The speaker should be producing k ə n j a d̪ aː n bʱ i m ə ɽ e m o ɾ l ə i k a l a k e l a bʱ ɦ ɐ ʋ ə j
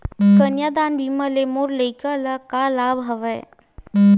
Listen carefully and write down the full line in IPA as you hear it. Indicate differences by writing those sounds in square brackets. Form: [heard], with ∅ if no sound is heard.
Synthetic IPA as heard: k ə n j a d̪ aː n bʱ i m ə [l] e m o ɾ l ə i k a l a k [a] l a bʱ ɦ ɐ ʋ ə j